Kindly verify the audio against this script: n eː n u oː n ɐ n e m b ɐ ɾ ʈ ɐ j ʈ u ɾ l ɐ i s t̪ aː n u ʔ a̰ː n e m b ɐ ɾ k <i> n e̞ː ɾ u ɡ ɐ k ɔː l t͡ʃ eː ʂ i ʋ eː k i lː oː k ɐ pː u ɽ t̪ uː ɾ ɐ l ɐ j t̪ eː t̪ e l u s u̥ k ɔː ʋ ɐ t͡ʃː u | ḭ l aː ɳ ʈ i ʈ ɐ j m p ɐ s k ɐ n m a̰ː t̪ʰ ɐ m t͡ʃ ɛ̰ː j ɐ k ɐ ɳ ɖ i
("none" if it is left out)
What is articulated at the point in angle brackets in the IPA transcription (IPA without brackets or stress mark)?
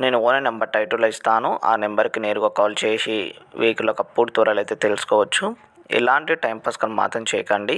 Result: i